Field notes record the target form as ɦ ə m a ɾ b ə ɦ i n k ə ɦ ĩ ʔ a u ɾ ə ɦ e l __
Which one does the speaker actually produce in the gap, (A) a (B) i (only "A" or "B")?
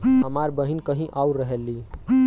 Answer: B